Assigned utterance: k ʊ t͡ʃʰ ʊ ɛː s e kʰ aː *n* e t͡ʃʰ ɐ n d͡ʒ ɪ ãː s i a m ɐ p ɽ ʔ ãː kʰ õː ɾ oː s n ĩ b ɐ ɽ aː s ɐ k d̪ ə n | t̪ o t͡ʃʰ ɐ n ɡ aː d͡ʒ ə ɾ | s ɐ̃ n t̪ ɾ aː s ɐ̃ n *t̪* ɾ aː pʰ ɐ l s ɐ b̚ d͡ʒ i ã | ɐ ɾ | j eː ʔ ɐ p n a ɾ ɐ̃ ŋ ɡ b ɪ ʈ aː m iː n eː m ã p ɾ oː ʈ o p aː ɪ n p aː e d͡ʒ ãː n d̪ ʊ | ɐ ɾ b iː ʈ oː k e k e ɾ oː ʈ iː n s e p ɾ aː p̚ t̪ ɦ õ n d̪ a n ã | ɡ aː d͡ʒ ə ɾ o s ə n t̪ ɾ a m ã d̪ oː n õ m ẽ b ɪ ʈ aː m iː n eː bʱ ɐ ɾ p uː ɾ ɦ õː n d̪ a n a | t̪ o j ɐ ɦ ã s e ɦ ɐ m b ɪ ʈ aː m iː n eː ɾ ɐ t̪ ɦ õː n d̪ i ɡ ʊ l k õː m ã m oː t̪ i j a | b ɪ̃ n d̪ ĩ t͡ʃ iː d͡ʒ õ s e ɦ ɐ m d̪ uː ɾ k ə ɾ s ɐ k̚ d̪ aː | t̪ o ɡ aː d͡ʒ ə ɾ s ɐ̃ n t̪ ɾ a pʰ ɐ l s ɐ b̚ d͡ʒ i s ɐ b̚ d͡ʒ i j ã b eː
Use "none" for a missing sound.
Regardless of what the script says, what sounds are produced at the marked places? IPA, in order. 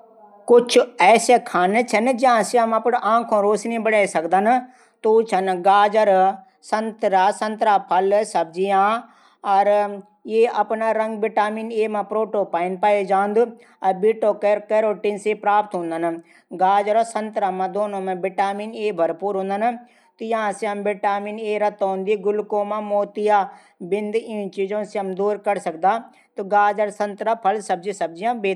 n, t̪

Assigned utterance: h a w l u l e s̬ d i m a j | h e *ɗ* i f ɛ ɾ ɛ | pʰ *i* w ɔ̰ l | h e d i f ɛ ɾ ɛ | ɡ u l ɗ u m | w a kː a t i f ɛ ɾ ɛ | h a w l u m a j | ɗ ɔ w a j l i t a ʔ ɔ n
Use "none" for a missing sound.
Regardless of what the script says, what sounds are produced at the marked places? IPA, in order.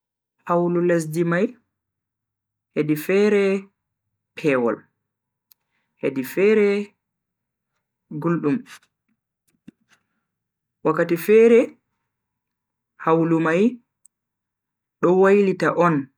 d, ɛ

